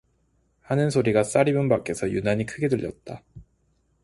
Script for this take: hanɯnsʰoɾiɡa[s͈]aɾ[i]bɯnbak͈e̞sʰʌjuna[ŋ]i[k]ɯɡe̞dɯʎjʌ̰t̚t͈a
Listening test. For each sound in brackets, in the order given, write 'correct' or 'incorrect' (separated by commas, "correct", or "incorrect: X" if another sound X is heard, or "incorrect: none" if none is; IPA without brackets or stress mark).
correct, correct, incorrect: ɲ, incorrect: kʰ